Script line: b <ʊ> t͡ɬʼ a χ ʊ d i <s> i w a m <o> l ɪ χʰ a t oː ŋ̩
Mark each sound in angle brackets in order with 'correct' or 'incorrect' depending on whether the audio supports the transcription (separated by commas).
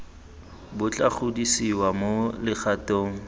correct, correct, correct